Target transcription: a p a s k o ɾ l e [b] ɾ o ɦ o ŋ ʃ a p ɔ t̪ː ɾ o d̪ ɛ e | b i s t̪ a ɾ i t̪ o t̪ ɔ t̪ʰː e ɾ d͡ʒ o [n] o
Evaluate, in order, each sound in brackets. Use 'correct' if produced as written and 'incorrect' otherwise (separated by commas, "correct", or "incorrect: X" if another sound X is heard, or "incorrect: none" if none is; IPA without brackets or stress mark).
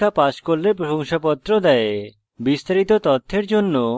incorrect: p, incorrect: nː